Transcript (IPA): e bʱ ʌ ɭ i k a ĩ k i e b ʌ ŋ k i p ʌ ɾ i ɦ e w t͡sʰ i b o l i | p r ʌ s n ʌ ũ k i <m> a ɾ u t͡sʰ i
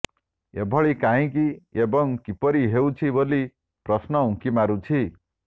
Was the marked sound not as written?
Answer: no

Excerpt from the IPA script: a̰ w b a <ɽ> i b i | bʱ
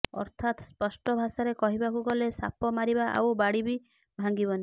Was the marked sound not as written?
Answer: no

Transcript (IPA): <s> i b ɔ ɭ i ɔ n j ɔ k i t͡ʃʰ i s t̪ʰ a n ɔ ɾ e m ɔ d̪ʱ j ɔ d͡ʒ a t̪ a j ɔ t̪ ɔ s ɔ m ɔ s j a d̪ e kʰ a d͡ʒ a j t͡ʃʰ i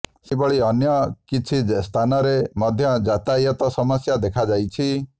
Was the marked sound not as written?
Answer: no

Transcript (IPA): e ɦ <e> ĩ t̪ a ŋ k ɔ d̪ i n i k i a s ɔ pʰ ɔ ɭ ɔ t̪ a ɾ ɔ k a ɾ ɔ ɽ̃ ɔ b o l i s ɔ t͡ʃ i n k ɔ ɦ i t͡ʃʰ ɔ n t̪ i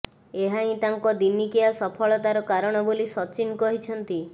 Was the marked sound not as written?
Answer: yes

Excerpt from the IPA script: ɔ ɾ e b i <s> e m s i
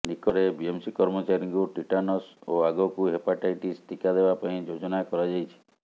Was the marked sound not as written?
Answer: yes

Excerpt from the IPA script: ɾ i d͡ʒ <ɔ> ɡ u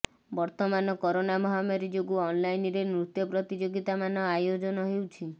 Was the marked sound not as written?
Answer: yes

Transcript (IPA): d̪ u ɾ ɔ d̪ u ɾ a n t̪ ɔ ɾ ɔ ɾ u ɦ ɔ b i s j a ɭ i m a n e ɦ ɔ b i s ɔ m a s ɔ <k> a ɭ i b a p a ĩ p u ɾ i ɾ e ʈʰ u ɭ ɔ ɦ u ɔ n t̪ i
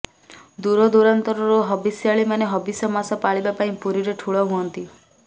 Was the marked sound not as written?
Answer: yes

